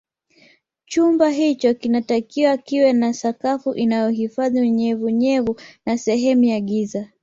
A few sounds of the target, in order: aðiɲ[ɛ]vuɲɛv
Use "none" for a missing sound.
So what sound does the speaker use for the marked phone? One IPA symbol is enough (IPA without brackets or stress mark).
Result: ɛ